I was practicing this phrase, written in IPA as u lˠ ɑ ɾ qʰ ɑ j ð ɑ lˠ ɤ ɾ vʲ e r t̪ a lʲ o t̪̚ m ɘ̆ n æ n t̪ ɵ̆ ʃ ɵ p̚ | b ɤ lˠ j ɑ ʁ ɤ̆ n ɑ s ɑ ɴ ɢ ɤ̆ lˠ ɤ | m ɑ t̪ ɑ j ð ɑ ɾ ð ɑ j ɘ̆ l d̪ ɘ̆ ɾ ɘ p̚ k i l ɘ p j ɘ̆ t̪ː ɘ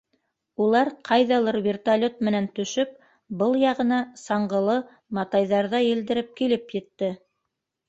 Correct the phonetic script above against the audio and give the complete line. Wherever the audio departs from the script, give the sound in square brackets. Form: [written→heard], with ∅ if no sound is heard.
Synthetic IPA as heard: u lˠ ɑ ɾ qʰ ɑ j ð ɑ lˠ ɤ ɾ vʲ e r t̪ a lʲ o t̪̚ m ɘ̆ n æ n t̪ ɵ̆ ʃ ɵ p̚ | b ɤ lˠ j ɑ ʁ ɤ̆ n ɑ s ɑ ɴ ɢ ɤ̆ lˠ ɤ | m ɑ t̪ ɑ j ð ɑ ɾ ð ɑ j ɘ̆ l d̪ ɘ̆ ɾ ɘ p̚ k i l ɘ p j ɘ̆ t̪ː ɘ